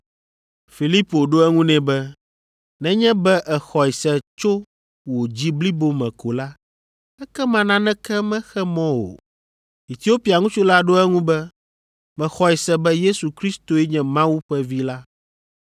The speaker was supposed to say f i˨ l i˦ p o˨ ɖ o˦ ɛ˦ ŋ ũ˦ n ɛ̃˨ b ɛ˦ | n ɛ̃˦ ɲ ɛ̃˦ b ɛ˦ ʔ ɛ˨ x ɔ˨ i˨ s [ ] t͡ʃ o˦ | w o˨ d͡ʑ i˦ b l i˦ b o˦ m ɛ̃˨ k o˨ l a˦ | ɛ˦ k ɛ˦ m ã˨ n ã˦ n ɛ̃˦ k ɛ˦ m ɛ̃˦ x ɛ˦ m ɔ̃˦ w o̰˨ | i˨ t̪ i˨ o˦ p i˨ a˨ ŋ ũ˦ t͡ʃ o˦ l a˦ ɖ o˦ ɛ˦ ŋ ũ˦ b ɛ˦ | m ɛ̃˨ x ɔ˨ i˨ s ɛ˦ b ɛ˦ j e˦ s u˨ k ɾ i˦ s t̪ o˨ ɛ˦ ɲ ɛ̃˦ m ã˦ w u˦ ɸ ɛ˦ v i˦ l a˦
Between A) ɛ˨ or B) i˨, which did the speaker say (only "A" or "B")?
A